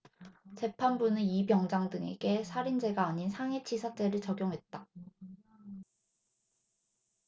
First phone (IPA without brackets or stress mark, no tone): t͡ɕ